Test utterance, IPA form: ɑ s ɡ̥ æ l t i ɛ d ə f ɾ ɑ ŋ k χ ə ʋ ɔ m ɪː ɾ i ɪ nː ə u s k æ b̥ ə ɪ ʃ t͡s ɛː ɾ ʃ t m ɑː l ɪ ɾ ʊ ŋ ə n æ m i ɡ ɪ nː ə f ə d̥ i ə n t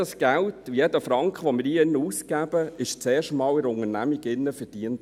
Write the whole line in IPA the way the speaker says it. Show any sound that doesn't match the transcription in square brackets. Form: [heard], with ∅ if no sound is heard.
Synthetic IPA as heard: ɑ s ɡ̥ æ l t [j] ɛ d ə f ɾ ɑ ŋ k χ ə ʋ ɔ m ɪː ɾ i ɪ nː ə u s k æ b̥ ə ɪ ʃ t͡s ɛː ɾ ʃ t m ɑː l ɪ ɾ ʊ ŋ ə n æ m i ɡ ɪ nː ə f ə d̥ i ə n t